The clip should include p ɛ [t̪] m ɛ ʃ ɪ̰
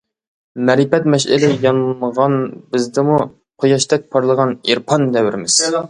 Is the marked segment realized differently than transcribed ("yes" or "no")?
no